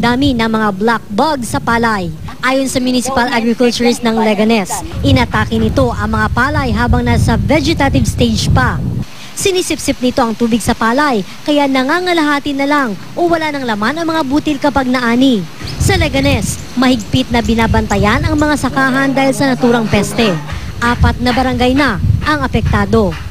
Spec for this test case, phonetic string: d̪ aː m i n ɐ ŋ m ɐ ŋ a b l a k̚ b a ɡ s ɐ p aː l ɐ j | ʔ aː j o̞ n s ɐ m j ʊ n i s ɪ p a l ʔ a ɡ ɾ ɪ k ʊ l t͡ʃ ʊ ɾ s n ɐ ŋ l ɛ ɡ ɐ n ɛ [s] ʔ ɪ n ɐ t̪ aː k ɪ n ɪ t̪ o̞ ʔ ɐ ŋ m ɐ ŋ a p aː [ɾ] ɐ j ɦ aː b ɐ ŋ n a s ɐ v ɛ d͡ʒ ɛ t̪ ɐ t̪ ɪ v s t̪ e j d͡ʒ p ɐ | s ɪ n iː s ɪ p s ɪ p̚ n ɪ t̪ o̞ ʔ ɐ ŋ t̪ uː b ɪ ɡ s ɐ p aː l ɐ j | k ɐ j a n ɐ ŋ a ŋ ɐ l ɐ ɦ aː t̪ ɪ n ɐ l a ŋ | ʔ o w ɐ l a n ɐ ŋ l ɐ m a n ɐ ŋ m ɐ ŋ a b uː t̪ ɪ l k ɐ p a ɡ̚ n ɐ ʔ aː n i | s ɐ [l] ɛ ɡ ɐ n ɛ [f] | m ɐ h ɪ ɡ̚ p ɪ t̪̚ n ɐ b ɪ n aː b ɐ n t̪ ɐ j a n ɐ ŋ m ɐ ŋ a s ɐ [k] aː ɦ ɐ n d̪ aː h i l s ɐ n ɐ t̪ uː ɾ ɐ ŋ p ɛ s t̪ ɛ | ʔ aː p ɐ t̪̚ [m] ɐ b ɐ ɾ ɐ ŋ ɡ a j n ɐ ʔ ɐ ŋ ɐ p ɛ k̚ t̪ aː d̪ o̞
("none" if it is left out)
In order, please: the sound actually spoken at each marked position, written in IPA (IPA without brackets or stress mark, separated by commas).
s, l, l, s, k, n